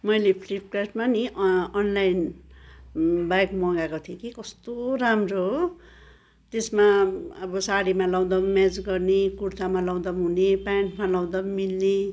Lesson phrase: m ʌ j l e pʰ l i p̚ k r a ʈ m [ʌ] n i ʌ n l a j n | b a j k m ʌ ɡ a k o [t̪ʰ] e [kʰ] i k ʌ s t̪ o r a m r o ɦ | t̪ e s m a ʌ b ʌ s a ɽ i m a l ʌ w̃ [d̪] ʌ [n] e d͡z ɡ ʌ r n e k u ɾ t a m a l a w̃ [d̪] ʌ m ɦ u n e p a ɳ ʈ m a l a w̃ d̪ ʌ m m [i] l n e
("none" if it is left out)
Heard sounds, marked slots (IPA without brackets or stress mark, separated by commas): a, t̪ʰ, k, d̪, m, d̪, i